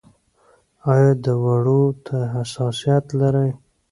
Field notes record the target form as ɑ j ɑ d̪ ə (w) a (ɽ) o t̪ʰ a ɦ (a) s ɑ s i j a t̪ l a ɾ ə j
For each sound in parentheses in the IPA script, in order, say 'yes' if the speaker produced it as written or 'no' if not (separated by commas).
yes, yes, yes